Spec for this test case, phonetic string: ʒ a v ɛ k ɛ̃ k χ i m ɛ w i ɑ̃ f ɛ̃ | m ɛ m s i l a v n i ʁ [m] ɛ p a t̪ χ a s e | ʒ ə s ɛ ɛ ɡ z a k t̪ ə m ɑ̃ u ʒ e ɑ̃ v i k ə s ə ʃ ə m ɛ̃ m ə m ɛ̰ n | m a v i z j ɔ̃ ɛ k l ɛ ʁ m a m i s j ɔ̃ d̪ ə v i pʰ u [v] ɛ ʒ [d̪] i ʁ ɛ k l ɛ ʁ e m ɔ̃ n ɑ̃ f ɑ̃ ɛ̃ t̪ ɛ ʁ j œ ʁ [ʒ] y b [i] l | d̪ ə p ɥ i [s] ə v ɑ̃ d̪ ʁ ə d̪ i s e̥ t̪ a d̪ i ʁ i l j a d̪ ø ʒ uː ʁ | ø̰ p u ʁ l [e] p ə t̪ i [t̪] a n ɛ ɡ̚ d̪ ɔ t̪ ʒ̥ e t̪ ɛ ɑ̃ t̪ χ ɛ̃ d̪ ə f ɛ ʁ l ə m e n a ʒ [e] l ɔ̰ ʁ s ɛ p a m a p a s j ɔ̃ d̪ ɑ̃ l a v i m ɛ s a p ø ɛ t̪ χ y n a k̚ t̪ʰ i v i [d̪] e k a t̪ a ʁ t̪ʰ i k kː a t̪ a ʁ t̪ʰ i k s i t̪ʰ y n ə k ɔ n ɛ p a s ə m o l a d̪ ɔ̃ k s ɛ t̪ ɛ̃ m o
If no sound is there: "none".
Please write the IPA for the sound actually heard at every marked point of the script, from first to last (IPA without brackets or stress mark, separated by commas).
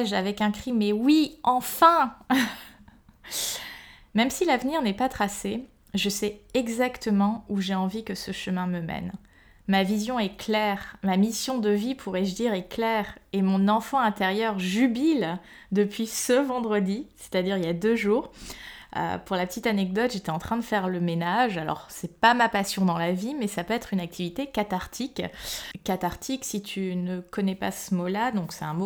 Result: n, ʁ, d̪, ʒ, i, s, a, t̪, a, t̪